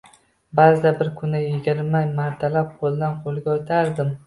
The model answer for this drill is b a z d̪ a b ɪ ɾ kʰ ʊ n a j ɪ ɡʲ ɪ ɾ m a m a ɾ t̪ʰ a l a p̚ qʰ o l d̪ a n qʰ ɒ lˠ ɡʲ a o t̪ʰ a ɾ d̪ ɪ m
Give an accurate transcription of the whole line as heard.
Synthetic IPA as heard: b a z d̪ a b ɪ ɾ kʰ ʊ n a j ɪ ɡʲ ɪ ɾ m a m a ɾ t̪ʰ a l a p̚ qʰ o l d̪ a n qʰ o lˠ ɡʲ a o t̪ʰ a ɾ d̪ ɪ m